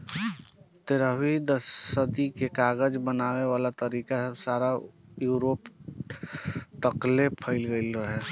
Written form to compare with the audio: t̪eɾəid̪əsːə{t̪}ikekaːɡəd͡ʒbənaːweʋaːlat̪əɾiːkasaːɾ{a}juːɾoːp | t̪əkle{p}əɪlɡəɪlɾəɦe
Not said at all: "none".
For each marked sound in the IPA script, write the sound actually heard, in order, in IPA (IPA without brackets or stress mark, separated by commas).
d̪, a, pʰ